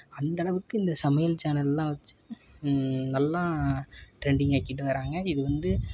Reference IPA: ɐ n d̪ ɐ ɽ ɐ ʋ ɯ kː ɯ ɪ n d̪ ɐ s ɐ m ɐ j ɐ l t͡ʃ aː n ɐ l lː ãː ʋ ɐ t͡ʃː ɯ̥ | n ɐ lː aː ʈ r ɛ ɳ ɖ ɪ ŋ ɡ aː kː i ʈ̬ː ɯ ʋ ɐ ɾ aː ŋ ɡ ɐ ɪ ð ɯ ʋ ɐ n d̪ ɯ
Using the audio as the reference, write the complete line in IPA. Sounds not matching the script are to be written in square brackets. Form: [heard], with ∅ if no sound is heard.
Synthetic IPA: ɐ n d̪ ɐ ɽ ɐ ʋ ɯ kː ɯ ɪ n d̪ ɐ s ɐ m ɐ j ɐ l t͡ʃ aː n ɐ l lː ãː ʋ ɐ t͡ʃː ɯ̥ | n ɐ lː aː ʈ [ɾ] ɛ ɳ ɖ ɪ ŋ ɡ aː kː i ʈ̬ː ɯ ʋ ɐ ɾ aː ŋ ɡ ɐ ɪ ð ɯ ʋ ɐ n d̪ ɯ